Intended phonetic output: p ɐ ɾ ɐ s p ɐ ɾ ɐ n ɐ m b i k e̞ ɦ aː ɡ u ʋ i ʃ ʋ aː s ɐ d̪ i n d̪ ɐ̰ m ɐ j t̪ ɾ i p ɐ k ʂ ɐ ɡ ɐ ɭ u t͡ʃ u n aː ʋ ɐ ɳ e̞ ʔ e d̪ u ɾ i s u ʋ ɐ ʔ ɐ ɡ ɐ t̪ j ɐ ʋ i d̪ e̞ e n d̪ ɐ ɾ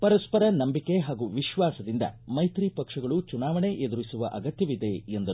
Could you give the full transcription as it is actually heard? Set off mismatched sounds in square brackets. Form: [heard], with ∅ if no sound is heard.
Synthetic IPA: p ɐ ɾ ɐ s p ɐ ɾ ɐ n ɐ m b i k e̞ ɦ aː ɡ u ʋ i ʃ ʋ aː s ɐ d̪ i n d̪ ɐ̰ m ɐ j t̪ ɾ i p ɐ k ʂ ɐ ɡ ɐ ɭ u t͡ʃ u n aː ʋ ɐ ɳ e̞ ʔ e d̪ u ɾ i s u ʋ ɐ ʔ ɐ ɡ ɐ t̪ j ɐ ʋ i d̪ e̞ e n d̪ ɐ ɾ